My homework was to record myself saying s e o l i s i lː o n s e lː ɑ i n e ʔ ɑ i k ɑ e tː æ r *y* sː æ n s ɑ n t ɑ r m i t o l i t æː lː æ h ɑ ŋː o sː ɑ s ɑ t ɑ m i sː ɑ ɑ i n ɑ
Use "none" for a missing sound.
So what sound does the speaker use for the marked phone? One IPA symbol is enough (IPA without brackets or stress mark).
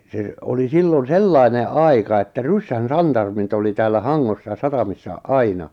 y